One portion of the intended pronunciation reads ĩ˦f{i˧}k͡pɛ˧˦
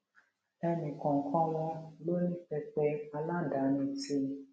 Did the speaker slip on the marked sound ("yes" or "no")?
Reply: yes